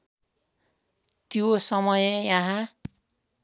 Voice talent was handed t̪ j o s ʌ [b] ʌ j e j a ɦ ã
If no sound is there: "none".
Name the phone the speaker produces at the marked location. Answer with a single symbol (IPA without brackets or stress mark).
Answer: m